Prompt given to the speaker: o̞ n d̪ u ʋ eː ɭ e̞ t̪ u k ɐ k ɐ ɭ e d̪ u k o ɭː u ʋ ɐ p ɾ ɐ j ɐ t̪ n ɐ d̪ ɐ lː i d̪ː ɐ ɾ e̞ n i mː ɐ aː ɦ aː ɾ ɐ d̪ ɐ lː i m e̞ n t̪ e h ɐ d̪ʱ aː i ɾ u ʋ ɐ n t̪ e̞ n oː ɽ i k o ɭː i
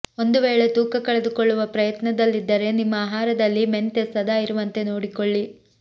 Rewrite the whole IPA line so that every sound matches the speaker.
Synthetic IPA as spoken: o̞ n d̪ u ʋ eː ɭ e̞ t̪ uː k ɐ k ɐ ɭ e d̪ u k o ɭː u ʋ ɐ p ɾ ɐ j ɐ t̪ n ɐ d̪ ɐ lː i d̪ː ɐ ɾ e̞ n i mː ɐ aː ɦ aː ɾ ɐ d̪ ɐ lː i m e̞ n t̪ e s ɐ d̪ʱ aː i ɾ u ʋ ɐ n t̪ e̞ n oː ɽ i k o ɭː i